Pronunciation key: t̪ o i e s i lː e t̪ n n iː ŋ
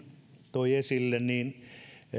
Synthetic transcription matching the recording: t̪ o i e s i lː e n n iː n